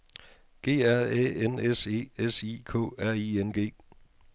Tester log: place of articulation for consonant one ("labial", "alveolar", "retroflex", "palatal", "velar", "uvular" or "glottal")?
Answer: velar